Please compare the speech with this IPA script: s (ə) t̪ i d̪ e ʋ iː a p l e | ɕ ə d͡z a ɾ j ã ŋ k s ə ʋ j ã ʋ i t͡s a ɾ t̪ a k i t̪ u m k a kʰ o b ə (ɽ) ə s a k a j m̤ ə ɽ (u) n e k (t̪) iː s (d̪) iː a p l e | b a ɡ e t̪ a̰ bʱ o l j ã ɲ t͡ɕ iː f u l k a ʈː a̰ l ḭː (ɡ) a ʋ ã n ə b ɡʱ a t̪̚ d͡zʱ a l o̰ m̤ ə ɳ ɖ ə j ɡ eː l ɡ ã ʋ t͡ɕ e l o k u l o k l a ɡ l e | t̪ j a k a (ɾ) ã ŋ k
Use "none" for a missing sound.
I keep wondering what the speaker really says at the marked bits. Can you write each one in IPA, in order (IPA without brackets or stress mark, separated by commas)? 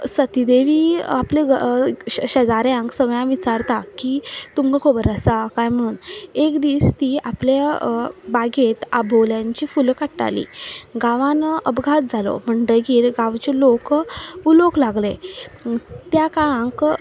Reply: ə, ɾ, uː, d̪, t̪, ɡ, ɭ